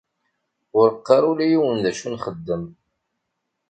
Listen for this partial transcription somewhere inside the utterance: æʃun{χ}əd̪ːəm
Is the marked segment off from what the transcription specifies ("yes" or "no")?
no